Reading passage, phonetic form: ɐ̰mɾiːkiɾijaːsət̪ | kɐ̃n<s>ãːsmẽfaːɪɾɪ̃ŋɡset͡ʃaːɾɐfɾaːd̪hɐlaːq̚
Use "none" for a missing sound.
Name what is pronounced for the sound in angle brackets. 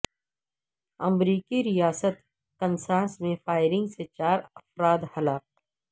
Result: s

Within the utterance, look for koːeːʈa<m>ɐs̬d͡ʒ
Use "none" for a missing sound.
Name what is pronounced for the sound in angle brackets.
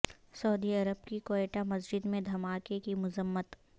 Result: m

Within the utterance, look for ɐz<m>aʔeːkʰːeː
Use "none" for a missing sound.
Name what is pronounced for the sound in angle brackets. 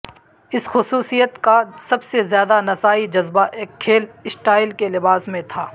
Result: b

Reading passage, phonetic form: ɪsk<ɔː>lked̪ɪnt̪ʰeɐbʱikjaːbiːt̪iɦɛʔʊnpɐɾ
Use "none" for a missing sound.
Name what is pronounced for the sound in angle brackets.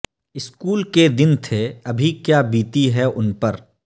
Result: uː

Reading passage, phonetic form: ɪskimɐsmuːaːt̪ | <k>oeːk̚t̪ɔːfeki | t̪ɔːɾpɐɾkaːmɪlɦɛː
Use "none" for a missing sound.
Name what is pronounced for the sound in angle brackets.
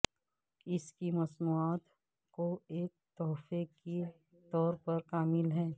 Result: k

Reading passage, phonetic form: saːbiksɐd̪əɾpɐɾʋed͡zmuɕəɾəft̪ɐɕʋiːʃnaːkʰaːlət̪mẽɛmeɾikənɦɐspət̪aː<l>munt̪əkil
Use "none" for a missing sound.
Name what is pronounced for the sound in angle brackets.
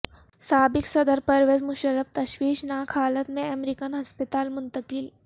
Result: l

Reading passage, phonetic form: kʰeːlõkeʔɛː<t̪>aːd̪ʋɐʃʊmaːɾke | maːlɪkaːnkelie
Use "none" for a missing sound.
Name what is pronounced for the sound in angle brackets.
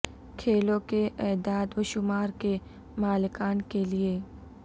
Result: d̪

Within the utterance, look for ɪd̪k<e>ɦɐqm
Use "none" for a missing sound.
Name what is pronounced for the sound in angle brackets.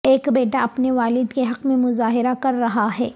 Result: e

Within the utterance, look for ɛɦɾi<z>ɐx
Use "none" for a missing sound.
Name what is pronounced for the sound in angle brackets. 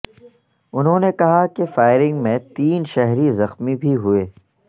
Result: z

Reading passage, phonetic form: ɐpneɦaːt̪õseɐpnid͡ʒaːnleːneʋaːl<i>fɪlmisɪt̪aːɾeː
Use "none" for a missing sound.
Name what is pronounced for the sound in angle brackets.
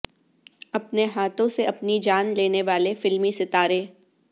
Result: e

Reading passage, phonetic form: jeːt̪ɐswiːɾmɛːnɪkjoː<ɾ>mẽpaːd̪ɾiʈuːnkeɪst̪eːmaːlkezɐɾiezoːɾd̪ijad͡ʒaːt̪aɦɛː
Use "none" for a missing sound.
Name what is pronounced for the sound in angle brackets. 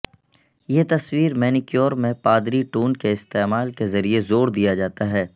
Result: ɾ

